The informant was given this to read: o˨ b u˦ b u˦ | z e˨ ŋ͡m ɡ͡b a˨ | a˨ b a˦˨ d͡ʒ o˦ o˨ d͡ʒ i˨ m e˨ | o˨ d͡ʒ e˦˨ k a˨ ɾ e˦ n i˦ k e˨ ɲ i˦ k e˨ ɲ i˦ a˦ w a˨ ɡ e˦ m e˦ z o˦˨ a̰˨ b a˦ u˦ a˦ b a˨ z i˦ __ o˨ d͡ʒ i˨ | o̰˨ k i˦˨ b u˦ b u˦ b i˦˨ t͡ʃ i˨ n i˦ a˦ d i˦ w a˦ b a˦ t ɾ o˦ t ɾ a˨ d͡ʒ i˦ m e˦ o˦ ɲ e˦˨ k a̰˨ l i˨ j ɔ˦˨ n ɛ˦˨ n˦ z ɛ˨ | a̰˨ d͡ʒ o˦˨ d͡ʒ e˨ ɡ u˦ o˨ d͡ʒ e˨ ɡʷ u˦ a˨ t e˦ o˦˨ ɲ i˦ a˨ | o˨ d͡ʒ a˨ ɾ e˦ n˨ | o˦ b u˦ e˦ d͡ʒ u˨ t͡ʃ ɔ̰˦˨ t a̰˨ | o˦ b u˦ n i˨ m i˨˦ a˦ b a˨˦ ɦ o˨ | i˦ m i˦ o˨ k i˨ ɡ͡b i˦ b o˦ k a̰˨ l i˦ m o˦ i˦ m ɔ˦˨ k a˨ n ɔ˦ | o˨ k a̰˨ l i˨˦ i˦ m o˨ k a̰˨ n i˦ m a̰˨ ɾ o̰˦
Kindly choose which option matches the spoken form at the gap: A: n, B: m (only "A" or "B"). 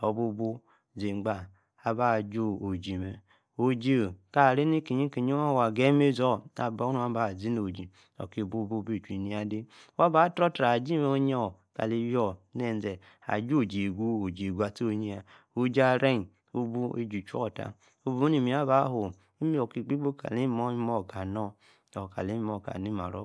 A